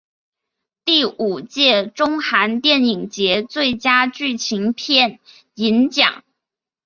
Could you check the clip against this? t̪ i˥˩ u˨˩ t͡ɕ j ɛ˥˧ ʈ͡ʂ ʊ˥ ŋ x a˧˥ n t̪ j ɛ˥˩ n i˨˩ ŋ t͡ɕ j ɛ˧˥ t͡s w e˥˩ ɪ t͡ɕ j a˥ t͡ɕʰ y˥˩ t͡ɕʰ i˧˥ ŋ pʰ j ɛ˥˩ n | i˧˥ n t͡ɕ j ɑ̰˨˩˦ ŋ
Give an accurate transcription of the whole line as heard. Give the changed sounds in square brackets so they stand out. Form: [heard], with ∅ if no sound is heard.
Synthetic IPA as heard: t̪ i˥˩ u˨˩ t͡ɕ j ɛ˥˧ ʈ͡ʂ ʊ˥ ŋ x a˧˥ n t̪ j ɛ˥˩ n i˨˩ ŋ t͡ɕ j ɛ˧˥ t͡s w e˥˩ ɪ t͡ɕ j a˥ [t͡ɕ] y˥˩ t͡ɕʰ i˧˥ ŋ pʰ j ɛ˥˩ n | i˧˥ n t͡ɕ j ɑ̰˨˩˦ ŋ